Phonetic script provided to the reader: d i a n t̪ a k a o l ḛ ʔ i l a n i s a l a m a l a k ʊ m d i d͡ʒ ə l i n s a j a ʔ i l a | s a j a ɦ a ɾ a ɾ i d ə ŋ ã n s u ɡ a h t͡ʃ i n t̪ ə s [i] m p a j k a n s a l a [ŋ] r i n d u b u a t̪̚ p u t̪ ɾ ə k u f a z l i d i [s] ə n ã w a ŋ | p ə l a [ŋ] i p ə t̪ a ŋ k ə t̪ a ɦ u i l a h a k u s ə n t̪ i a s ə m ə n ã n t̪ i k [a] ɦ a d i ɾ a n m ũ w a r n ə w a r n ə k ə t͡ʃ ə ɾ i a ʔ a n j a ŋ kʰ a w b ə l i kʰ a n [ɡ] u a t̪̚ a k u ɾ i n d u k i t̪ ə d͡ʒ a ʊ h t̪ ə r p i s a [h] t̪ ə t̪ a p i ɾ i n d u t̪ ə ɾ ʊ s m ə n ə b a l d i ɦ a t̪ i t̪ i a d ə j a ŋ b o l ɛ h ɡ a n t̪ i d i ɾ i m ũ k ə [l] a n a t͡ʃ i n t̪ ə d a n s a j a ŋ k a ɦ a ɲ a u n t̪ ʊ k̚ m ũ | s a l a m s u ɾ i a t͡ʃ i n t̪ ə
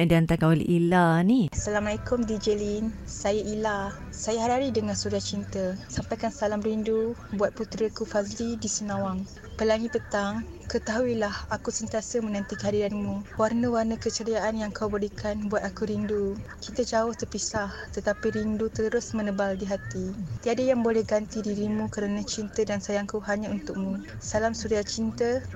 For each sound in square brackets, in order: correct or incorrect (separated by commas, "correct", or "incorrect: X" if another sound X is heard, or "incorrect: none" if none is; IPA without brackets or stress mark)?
incorrect: a, incorrect: m, correct, correct, incorrect: ə, incorrect: b, correct, incorrect: ɾ